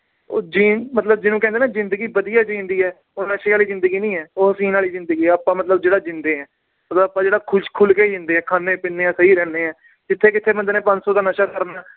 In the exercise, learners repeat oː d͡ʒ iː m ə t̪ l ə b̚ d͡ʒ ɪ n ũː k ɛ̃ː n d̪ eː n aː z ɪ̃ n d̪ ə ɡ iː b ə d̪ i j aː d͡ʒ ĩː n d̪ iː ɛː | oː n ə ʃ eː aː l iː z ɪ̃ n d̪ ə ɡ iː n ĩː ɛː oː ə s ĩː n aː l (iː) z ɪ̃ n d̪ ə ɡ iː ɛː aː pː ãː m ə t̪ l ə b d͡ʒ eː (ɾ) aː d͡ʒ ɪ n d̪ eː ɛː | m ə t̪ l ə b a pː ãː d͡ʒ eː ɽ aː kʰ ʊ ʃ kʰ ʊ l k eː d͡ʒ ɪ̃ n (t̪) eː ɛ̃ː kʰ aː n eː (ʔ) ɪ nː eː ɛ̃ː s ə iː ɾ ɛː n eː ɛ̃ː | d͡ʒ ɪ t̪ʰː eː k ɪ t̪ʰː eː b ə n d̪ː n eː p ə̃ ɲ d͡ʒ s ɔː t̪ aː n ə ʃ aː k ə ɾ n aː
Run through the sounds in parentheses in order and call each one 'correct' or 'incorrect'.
correct, incorrect: ɽ, incorrect: d̪, incorrect: p

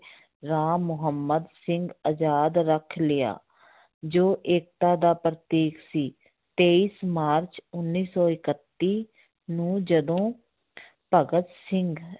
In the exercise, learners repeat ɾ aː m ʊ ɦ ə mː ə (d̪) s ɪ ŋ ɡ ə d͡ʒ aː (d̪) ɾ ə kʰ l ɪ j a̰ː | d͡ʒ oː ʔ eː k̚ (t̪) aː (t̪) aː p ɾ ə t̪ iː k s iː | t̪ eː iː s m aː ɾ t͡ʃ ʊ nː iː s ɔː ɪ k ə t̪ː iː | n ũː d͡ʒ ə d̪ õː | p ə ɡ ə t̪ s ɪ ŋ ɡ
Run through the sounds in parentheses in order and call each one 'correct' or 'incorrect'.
correct, correct, correct, incorrect: d̪

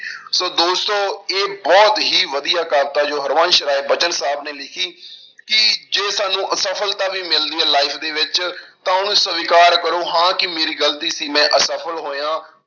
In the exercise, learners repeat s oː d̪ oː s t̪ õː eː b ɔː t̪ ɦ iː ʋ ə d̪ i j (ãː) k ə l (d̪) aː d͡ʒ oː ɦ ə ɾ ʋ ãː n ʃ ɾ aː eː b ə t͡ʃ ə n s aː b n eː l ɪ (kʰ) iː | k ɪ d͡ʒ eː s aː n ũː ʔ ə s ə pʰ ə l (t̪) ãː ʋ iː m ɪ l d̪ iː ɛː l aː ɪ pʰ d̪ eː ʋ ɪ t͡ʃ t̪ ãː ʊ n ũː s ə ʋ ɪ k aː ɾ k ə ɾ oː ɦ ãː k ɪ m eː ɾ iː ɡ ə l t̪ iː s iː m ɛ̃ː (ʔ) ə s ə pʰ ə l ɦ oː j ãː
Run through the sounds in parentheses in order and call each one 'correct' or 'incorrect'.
incorrect: aː, incorrect: t̪, correct, correct, correct

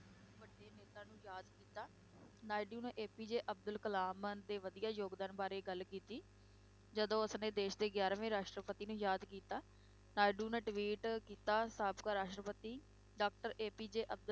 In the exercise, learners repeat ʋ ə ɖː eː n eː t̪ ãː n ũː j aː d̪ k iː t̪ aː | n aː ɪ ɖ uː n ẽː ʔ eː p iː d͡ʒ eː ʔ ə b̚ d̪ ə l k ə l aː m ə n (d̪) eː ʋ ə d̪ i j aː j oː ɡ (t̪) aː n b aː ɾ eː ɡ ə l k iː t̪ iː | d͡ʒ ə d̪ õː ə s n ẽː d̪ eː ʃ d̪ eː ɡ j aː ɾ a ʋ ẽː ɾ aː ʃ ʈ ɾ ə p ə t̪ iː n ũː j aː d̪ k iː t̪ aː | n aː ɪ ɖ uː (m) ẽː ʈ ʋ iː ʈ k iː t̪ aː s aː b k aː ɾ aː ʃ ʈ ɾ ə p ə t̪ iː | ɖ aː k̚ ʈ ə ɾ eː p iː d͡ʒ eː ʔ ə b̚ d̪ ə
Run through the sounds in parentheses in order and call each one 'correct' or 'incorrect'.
correct, incorrect: d̪, incorrect: n

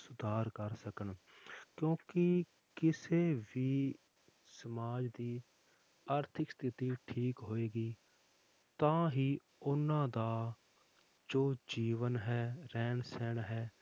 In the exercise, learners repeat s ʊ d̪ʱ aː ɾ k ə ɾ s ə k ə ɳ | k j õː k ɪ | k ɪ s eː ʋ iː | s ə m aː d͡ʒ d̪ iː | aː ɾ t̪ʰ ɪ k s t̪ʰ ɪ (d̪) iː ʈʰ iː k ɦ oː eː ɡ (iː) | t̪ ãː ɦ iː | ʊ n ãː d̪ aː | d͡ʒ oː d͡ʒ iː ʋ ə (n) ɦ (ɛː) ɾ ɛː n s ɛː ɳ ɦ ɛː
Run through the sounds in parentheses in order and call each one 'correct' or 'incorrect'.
incorrect: t̪, correct, correct, correct

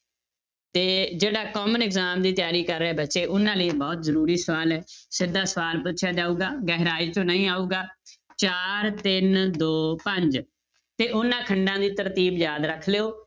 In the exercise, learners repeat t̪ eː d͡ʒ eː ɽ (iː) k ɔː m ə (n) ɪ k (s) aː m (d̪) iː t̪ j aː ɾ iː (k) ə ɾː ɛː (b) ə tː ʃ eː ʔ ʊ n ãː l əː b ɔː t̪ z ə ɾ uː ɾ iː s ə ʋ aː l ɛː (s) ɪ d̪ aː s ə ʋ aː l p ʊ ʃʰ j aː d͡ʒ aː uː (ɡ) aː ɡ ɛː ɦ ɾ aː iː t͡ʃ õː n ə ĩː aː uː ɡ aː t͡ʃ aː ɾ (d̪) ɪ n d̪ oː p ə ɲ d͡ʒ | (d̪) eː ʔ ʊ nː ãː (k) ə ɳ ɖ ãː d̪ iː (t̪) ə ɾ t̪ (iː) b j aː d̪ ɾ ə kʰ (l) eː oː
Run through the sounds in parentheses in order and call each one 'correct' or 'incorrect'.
incorrect: aː, correct, incorrect: z, correct, correct, correct, correct, correct, incorrect: t̪, incorrect: t̪, incorrect: kʰ, correct, correct, correct

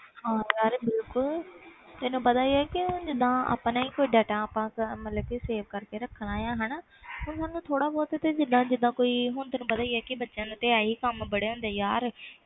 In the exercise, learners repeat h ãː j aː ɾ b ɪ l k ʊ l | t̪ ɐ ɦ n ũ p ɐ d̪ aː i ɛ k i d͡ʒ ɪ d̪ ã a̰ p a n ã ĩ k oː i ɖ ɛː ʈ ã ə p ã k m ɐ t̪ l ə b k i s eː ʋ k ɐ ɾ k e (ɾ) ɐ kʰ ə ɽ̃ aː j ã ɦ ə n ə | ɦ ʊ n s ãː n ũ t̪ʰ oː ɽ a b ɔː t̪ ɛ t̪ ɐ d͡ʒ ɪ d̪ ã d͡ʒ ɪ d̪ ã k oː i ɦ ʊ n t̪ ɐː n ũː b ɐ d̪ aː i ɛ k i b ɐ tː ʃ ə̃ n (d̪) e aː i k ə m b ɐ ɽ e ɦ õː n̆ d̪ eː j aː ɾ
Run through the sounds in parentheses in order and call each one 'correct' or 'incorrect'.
correct, incorrect: t̪

